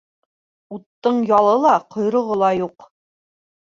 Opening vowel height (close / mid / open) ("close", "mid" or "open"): close